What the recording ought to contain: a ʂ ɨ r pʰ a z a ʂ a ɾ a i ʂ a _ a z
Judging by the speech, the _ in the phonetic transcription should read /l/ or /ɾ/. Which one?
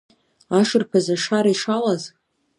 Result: l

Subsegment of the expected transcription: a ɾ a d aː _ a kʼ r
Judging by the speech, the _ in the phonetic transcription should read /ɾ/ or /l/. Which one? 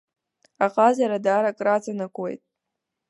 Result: ɾ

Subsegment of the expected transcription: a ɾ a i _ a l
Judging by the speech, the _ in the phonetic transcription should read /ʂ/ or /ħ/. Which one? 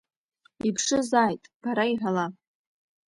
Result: ħ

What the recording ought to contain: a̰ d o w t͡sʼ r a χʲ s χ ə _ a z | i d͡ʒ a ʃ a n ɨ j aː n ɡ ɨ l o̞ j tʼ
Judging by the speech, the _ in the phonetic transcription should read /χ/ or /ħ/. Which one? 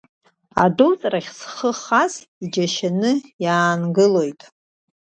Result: χ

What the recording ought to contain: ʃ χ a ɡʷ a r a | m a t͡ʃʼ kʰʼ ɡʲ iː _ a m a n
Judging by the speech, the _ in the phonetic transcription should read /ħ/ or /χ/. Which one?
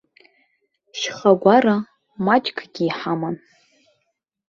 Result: ħ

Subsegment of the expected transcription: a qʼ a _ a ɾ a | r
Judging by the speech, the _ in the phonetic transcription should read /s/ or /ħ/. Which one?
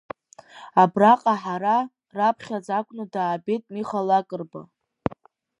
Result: ħ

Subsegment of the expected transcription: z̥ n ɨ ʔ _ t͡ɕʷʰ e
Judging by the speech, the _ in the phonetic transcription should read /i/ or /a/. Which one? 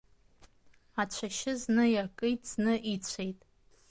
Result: i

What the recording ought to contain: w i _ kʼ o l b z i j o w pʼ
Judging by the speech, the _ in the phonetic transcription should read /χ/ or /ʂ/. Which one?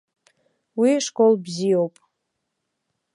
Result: ʂ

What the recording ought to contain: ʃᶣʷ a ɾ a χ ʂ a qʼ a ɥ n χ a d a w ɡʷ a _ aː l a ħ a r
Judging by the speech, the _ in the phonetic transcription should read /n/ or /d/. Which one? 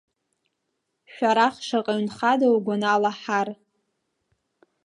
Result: n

